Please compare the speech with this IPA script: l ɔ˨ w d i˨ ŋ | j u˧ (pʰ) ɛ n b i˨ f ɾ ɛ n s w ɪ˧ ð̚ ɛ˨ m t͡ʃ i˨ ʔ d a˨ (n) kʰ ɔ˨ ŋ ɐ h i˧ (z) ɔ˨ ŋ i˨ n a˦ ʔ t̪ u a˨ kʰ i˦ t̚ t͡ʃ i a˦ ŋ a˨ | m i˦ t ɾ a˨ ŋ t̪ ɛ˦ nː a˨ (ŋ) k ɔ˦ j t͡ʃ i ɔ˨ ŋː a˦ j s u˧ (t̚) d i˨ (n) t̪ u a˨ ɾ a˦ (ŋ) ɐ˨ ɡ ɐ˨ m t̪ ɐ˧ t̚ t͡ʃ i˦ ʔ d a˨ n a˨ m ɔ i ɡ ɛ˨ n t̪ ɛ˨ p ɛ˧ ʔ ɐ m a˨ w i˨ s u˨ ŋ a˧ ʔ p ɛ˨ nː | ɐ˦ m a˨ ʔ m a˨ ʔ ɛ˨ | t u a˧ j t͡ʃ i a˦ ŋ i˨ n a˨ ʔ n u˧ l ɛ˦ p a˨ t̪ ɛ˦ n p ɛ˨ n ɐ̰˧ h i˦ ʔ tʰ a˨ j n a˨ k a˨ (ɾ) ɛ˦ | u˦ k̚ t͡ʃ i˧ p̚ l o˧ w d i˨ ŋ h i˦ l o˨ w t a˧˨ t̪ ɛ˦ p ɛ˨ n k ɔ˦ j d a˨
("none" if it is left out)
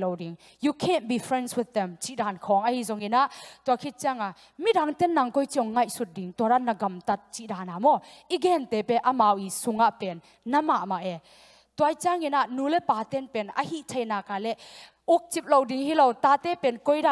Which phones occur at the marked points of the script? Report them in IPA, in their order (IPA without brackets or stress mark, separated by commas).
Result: kʰ, n, z, ŋ, t̚, ŋ, n, l